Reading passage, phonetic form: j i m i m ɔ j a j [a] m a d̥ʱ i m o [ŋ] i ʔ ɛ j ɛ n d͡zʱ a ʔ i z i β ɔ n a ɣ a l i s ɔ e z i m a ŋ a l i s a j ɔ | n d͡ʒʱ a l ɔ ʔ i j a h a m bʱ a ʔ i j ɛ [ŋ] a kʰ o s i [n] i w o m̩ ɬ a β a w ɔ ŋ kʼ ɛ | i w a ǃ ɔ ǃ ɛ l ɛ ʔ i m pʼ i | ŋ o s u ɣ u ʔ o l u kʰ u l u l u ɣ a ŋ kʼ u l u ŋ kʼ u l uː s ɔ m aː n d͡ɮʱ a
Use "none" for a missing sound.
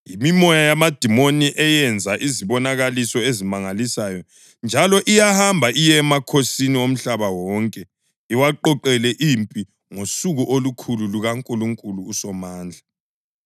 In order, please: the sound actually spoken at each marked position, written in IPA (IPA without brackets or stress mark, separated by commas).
a, n, m, n